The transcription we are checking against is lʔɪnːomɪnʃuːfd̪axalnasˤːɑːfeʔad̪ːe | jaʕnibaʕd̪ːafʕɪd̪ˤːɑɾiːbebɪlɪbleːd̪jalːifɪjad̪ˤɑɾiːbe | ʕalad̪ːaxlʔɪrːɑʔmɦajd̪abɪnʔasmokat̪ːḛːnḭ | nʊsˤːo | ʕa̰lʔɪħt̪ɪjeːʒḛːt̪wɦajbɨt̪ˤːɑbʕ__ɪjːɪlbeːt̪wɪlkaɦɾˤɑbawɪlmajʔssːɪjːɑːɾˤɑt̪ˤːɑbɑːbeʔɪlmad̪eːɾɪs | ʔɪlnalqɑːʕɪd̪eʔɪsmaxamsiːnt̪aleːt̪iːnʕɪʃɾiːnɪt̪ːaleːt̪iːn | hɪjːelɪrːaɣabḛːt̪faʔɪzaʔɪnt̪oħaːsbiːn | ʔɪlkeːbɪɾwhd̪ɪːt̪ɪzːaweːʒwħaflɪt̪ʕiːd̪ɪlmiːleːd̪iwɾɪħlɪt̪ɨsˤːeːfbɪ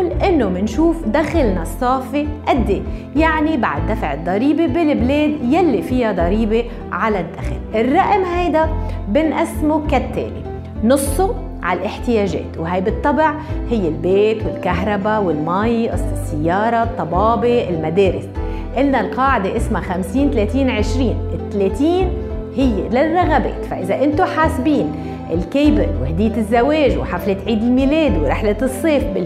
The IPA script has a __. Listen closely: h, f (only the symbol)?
h